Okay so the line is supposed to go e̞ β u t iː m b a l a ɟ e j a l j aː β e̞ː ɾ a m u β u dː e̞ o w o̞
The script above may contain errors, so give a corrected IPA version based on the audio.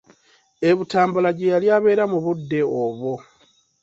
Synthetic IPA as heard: e̞ β u t aː m b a l a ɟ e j a l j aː β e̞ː ɾ a m u β u dː e̞ o β o̞